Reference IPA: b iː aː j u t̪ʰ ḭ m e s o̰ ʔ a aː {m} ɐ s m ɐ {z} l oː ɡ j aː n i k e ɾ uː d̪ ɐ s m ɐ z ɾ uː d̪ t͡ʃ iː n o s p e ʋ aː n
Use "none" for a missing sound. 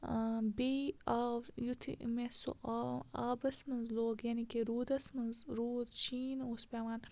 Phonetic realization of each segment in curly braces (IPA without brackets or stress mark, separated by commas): b, z